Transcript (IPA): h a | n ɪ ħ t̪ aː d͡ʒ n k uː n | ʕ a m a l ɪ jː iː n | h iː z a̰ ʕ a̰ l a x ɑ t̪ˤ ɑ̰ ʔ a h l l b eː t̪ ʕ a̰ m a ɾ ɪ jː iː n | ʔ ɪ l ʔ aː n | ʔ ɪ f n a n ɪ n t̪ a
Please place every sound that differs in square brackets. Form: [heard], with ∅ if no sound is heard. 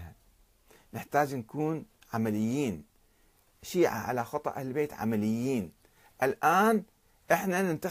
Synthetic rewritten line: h a | n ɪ ħ t̪ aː d͡ʒ n k uː n | ʕ a m a l ɪ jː iː n | [ʃ] iː [ʕ] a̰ ʕ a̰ l a x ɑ t̪ˤ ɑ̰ ʔ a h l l b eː t̪ ʕ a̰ m a [l] ɪ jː iː n | ʔ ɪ l ʔ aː n | ʔ ɪ [ħ] n a n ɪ n t̪ a